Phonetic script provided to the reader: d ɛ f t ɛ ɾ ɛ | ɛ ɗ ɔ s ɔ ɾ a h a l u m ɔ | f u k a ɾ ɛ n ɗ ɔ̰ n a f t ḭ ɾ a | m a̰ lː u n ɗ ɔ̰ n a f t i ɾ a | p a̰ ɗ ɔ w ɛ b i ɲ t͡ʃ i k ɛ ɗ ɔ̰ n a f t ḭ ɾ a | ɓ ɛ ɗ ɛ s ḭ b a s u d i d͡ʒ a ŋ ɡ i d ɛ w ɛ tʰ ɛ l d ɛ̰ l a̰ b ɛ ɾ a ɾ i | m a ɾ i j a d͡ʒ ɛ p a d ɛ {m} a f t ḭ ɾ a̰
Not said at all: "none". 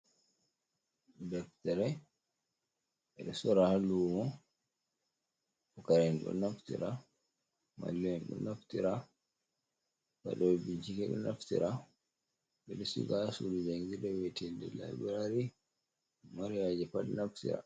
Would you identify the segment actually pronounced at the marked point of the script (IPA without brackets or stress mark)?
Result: n